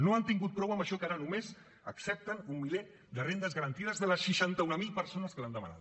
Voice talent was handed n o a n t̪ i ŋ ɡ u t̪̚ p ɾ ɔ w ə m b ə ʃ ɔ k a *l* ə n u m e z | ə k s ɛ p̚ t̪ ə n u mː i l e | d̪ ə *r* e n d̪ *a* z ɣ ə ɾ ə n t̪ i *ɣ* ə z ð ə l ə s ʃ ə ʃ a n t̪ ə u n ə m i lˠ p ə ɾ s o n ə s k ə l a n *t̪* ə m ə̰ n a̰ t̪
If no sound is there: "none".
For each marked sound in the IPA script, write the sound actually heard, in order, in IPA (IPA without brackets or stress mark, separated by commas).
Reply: ɾ, r, ə, ð, d̪